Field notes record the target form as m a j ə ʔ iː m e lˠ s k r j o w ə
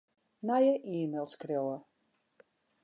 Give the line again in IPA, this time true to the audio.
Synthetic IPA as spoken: n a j ə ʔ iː m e lˠ s k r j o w ə